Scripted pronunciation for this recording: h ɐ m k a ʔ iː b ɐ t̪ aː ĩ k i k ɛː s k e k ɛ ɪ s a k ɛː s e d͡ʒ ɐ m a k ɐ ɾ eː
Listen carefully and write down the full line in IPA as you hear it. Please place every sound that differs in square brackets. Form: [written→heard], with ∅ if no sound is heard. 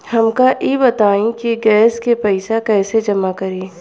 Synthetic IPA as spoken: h ɐ m k a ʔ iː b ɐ t̪ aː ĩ k i [k→ɡ] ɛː s k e [k→p] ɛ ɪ s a k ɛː s e d͡ʒ ɐ m a k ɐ ɾ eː